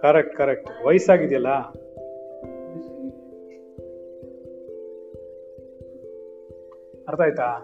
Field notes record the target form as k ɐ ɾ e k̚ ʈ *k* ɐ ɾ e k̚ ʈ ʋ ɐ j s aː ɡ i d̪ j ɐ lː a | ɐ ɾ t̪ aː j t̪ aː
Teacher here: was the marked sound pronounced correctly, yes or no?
yes